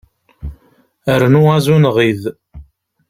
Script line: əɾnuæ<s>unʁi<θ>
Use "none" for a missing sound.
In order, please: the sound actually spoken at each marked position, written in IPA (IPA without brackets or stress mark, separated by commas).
z, ð